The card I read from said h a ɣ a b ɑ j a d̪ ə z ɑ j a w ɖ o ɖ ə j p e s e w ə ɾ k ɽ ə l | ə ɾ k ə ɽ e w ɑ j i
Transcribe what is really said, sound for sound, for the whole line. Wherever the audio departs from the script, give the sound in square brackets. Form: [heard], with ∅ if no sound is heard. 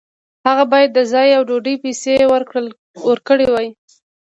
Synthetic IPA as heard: h a ɣ a b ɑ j a [d̪ː] ə z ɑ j a w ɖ o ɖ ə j p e s e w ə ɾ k ɽ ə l | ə ɾ k ə ɽ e w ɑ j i